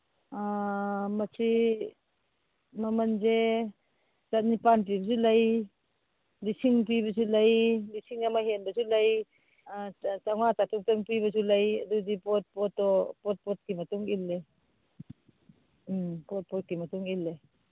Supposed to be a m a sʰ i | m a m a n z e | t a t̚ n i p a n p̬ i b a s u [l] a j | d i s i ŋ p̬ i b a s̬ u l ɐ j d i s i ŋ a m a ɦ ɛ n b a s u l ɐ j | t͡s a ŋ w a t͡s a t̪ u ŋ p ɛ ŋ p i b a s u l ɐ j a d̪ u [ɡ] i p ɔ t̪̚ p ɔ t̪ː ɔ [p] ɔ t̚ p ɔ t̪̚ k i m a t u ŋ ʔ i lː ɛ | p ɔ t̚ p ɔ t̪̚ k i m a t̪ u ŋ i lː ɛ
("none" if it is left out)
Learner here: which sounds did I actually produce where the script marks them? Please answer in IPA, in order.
l, d, p

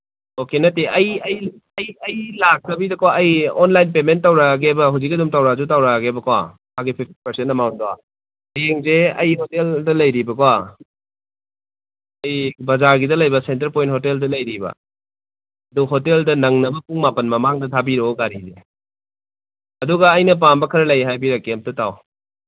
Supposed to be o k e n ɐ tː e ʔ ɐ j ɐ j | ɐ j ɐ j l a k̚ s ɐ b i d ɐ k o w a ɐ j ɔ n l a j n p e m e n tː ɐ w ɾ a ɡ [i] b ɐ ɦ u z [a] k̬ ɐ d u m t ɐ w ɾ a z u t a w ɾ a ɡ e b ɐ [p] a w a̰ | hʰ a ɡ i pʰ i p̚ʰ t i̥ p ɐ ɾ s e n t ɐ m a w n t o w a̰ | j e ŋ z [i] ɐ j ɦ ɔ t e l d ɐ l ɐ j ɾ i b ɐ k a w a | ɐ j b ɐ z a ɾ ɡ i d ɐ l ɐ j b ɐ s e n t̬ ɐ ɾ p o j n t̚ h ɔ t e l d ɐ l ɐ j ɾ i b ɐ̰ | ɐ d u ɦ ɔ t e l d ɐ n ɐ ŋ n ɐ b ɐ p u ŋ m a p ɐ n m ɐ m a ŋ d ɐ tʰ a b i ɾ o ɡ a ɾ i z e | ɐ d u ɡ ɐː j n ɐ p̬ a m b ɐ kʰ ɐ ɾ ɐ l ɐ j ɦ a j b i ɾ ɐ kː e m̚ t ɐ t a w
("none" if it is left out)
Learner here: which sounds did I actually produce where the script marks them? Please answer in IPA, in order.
e, i, k, e

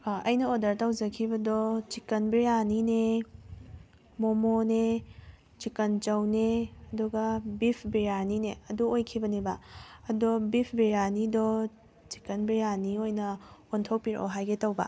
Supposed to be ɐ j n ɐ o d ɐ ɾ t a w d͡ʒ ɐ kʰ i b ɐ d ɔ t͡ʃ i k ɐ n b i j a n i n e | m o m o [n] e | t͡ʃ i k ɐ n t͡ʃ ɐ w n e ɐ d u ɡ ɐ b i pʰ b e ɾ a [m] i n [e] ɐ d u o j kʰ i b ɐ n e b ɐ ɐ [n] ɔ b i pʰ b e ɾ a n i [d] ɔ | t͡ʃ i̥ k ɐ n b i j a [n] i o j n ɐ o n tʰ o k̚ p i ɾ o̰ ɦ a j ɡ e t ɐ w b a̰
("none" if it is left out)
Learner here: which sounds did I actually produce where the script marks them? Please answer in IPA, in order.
n, n, e, d, d, n

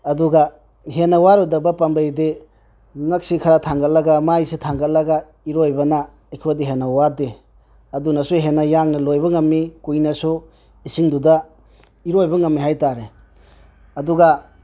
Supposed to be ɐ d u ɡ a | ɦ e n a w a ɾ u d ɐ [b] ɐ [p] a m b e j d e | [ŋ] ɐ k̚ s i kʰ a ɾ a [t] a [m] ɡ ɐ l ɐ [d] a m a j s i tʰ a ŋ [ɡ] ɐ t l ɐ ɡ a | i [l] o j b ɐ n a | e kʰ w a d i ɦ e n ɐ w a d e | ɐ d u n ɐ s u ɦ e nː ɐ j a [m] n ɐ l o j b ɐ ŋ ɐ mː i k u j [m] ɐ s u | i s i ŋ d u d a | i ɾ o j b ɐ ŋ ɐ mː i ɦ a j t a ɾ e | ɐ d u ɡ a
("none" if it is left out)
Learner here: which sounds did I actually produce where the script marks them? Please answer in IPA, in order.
b, p, ŋ, tʰ, ŋ, ɡ, ɡ, ɾ, ŋ, n

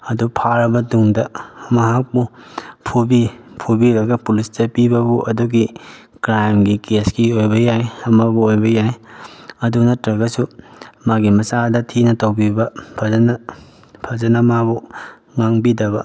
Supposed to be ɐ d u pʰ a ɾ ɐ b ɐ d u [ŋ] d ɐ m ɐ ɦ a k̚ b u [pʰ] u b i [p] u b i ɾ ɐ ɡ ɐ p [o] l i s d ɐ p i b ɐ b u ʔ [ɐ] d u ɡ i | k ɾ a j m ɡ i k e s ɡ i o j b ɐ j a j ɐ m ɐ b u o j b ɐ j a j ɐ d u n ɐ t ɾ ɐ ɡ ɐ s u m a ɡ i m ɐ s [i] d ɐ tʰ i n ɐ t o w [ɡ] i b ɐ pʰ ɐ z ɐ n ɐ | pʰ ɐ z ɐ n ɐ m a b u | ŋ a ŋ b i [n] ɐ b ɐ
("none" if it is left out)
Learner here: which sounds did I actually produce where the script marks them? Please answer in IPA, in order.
ŋ, pʰ, pʰ, u, ɐ, a, b, d

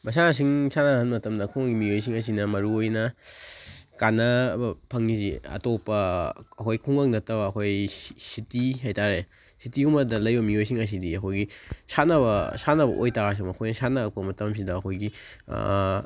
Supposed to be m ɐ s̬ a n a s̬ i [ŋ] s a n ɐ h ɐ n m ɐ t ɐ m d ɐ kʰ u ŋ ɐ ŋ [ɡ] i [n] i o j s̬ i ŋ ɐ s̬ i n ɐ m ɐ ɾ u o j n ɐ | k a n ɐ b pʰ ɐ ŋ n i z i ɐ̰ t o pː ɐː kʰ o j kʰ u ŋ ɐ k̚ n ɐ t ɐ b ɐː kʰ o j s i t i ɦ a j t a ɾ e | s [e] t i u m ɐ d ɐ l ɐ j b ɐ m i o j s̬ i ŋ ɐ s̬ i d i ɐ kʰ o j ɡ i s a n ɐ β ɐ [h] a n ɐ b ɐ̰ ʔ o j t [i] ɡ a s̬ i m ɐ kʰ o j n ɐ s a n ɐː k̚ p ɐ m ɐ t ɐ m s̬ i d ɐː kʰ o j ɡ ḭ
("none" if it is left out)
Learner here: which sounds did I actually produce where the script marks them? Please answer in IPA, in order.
ŋ, ɡ, m, i, s, a

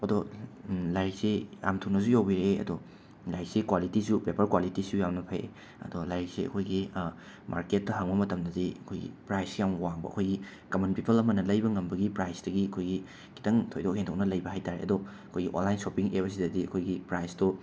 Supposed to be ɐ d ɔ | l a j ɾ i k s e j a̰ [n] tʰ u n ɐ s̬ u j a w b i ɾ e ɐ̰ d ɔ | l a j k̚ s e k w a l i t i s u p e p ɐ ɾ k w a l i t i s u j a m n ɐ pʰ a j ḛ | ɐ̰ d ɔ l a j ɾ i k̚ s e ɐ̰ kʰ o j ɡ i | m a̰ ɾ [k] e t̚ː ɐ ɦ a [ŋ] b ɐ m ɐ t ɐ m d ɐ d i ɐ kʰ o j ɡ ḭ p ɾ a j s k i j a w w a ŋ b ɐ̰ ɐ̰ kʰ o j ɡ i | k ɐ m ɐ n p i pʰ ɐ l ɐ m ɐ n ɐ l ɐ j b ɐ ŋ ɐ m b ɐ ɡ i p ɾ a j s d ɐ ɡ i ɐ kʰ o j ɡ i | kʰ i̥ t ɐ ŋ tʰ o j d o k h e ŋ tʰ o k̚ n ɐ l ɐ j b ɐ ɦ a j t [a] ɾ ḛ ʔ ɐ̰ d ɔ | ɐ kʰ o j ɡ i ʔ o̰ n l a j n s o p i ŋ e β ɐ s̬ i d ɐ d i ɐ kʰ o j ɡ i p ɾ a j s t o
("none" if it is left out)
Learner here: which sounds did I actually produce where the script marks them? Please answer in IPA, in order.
m, k, ŋ, a

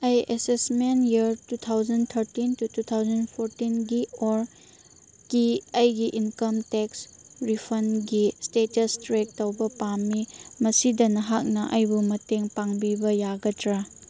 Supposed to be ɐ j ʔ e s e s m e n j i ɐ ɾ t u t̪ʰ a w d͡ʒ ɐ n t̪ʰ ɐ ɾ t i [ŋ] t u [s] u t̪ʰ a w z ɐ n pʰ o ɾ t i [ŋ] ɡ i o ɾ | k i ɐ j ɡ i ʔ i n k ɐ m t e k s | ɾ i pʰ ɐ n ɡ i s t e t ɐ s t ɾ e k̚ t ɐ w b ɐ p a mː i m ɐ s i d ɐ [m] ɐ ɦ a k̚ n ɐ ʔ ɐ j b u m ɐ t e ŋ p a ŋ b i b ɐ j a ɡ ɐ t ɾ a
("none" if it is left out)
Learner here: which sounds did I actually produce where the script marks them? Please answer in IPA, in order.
n, t, n, n

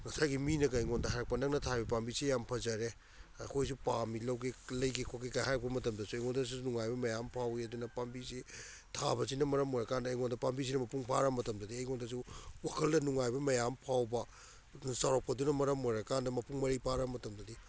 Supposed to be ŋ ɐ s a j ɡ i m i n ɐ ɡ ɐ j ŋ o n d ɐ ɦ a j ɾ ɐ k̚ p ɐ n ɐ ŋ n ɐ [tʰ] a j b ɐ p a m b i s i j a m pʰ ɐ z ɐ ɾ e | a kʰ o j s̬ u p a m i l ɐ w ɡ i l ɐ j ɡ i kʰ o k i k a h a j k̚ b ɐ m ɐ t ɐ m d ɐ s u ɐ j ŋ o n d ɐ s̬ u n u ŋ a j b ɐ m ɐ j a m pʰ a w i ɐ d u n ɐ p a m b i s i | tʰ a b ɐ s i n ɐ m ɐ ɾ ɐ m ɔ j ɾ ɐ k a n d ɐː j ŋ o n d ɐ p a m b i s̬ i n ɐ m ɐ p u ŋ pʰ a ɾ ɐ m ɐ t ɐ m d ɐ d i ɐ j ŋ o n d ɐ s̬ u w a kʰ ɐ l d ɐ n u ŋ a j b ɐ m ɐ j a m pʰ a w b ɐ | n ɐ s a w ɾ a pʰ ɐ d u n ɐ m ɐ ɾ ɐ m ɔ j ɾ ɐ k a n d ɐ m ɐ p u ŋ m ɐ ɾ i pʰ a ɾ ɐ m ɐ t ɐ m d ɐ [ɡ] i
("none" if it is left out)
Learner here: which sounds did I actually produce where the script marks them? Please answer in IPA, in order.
tʰ, d

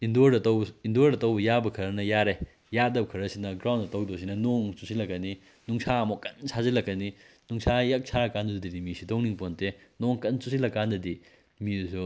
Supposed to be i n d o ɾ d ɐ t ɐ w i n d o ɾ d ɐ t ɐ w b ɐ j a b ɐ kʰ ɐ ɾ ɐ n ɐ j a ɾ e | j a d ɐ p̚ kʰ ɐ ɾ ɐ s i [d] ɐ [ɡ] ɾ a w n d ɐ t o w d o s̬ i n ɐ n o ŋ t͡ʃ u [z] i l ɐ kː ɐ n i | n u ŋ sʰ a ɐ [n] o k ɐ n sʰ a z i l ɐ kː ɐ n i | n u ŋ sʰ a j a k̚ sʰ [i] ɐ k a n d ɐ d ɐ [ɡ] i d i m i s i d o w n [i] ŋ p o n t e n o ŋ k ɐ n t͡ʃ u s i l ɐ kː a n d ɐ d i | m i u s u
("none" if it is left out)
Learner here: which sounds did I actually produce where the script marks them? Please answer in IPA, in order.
n, ɡ, s, m, a, d, i

